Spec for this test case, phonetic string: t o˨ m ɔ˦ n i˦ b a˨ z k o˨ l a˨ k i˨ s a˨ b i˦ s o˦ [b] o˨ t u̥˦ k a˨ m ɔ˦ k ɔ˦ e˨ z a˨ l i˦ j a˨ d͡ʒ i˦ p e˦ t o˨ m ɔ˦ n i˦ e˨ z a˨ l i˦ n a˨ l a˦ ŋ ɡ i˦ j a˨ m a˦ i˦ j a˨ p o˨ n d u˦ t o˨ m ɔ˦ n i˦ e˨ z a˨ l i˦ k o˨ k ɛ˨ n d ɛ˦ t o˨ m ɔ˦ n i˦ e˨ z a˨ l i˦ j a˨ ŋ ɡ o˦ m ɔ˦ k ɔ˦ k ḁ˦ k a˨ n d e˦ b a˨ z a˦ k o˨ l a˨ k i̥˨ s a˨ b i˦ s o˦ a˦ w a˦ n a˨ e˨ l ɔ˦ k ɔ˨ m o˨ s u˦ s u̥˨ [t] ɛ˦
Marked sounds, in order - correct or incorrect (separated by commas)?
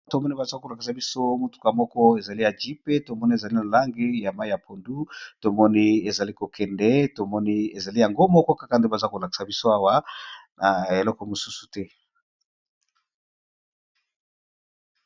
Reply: incorrect, correct